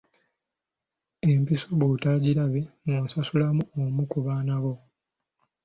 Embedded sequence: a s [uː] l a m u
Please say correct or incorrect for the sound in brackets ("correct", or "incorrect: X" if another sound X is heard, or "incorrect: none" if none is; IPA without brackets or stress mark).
incorrect: u